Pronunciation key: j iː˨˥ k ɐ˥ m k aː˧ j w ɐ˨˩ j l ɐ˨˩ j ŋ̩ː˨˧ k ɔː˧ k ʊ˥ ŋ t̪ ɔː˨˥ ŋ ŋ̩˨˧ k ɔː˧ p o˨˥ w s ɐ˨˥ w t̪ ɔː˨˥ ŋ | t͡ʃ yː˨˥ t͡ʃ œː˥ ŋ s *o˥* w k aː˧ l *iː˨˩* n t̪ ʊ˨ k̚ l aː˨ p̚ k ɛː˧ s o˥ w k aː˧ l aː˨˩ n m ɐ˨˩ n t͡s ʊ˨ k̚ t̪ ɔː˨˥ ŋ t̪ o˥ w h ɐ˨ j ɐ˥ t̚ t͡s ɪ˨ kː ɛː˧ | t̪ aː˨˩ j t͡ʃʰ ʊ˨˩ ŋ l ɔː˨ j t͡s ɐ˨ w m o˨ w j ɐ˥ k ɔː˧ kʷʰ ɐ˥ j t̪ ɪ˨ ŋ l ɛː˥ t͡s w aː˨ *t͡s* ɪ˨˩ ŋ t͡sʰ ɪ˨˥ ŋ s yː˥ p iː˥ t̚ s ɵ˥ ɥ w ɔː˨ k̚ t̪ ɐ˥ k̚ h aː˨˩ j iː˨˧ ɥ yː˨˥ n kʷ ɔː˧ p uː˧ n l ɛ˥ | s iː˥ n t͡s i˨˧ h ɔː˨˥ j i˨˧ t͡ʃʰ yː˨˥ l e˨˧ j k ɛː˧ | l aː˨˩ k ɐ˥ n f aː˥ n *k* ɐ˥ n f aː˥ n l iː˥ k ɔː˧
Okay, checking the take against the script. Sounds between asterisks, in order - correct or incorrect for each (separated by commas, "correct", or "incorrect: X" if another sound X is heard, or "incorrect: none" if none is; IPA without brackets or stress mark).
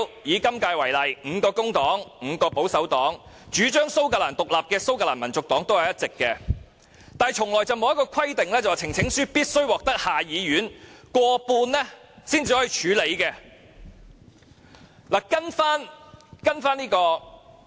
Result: correct, incorrect: aː˨˩, incorrect: t͡sʰ, correct